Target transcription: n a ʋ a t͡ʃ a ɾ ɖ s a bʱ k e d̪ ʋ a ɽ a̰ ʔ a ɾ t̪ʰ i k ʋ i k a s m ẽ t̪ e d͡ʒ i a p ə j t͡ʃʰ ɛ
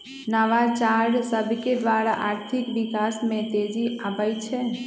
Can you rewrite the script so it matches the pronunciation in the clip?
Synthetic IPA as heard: n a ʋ a t͡ʃ a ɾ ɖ s ə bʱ k e d̪ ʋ a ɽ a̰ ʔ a ɾ t̪ʰ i k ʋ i k a s m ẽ t̪ e d͡ʒ i a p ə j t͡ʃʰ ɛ